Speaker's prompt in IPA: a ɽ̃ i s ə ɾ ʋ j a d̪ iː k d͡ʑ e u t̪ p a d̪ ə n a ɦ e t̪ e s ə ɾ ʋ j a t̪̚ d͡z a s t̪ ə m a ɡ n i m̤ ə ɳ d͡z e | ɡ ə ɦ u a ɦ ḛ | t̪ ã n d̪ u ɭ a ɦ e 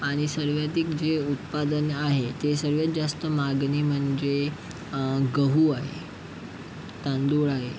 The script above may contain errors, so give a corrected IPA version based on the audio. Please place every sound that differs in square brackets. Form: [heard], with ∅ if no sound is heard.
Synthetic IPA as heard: a ɽ̃ i s ə ɾ ʋ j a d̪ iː k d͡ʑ e u t̪ p a d̪ ə n a ɦ e t̪ e s ə ɾ ʋ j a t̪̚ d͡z a s t̪ ə m a ɡ n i m̤ ə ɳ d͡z e | ɡ ə ɦ u a ɦ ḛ | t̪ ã n d̪ u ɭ a ɦ e